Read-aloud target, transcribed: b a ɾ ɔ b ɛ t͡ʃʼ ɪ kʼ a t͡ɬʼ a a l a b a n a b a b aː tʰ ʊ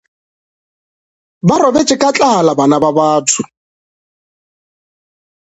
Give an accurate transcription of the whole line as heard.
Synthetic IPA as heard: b a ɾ ɔ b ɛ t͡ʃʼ ɪ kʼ a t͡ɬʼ a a l a b a n a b a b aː tʰ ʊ